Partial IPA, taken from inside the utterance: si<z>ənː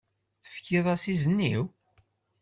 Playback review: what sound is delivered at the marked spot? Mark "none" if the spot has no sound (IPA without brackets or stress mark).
z